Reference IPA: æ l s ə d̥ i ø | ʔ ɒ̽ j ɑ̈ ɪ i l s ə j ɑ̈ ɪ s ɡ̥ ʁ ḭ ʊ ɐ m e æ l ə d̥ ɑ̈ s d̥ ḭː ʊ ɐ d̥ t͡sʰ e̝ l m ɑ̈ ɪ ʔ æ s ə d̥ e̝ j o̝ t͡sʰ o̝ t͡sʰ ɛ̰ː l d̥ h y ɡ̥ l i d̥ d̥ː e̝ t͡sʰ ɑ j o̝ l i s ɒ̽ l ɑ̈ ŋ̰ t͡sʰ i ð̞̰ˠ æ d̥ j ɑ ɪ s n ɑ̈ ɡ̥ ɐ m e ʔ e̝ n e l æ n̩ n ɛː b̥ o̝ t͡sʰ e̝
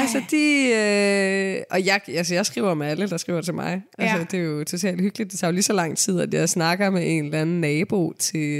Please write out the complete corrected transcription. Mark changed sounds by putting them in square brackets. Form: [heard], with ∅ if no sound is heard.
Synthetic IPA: æ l s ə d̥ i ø | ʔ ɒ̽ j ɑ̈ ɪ [æ] l s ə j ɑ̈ ɪ s ɡ̥ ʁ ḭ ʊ ɐ m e æ l ə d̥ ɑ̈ s [ɡ̥] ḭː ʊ ɐ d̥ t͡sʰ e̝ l m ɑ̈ ɪ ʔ æ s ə d̥ e̝ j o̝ t͡sʰ o̝ t͡sʰ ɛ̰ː l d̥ h y ɡ̥ l i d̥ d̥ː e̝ t͡sʰ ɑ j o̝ l i s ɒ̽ l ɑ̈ ŋ̰ t͡sʰ i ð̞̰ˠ æ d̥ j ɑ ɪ s n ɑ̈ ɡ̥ ɐ m e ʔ e̝ n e l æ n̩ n ɛː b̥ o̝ t͡sʰ e̝